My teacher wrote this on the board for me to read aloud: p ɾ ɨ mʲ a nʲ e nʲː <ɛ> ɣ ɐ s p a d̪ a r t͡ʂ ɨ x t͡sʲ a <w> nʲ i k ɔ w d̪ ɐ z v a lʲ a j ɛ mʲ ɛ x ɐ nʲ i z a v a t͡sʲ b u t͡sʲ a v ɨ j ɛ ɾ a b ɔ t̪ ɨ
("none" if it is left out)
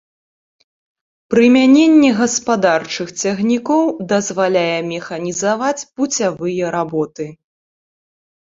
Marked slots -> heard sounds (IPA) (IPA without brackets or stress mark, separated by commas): ɛ, ɣ